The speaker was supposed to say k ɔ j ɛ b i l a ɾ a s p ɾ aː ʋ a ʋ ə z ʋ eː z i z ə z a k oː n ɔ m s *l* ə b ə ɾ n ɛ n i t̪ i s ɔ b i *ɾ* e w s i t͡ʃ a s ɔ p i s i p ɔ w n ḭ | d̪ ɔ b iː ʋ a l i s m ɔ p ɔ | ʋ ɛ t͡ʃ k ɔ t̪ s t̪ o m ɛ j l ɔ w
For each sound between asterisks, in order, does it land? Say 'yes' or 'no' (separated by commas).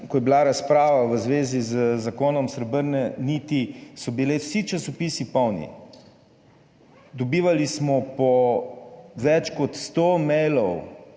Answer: no, no